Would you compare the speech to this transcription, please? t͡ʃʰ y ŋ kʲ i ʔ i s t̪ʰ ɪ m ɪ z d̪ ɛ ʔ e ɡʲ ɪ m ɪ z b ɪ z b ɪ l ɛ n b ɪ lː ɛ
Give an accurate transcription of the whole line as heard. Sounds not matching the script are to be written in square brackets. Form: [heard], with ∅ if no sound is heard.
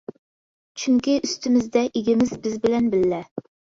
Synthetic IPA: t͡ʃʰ y ŋ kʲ i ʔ [y] s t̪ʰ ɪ m ɪ z d̪ ɛ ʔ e ɡʲ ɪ m ɪ z b ɪ z b ɪ l ɛ n b ɪ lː ɛ